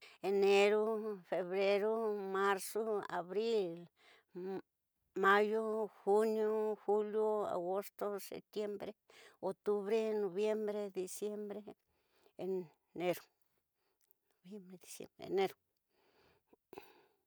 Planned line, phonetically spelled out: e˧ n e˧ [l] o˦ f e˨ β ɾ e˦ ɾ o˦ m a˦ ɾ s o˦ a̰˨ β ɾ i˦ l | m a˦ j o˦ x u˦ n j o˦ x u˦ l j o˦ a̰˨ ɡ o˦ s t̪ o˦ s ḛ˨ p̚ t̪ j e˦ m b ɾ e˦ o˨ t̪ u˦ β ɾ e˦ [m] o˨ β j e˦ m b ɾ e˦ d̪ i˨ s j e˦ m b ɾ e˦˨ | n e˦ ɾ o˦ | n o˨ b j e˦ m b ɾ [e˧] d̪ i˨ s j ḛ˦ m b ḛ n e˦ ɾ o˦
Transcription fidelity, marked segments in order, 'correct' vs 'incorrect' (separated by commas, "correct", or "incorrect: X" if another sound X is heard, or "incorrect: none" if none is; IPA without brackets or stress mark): incorrect: ɾ, incorrect: n, correct